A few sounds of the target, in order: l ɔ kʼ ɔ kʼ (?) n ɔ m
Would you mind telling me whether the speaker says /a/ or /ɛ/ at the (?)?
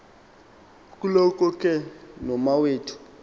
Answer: ɛ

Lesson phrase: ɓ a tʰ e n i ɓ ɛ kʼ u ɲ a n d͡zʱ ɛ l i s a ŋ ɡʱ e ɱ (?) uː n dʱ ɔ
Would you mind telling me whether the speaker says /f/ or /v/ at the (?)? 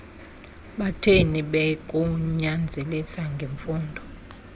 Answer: f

